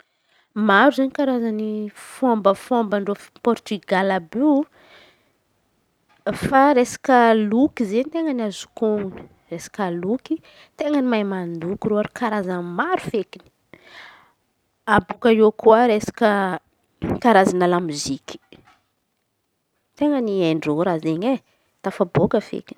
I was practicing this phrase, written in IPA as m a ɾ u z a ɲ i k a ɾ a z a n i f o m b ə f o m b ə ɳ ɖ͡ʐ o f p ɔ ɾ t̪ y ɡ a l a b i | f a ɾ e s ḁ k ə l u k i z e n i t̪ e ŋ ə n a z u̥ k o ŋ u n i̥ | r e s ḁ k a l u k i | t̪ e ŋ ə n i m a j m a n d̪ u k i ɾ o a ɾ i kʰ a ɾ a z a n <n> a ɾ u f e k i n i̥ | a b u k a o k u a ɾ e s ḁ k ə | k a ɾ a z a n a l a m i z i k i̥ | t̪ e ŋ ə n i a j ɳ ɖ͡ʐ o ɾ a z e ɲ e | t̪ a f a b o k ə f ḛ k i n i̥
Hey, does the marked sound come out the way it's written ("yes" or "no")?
no